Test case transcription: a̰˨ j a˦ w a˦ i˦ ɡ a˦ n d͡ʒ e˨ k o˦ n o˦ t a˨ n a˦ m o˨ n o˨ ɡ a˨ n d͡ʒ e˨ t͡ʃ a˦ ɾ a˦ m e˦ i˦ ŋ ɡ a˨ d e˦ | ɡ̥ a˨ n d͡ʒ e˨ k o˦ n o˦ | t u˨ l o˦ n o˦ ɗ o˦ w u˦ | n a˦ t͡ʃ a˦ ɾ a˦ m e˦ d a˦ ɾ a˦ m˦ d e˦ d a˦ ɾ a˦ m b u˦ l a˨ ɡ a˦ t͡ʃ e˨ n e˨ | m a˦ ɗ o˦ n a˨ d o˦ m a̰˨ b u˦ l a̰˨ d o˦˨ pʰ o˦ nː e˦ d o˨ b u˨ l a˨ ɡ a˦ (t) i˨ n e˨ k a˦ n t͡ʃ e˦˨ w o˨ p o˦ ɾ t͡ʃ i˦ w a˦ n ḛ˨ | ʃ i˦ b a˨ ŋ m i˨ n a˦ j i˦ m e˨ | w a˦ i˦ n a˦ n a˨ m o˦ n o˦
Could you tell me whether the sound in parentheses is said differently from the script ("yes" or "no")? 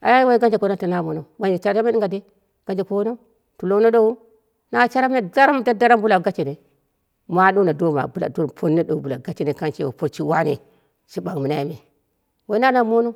yes